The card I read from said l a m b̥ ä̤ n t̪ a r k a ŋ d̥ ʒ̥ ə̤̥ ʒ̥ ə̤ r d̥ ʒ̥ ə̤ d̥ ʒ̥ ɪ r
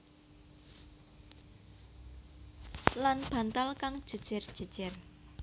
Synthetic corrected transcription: l a n b̥ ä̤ n t̪ a l k a ŋ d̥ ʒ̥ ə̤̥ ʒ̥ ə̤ r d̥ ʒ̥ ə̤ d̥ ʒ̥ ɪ r